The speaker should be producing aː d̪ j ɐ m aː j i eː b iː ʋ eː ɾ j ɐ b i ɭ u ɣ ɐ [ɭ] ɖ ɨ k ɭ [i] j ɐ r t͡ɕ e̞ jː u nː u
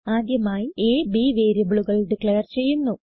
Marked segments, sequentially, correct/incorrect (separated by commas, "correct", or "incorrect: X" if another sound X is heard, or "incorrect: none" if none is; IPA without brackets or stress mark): correct, incorrect: e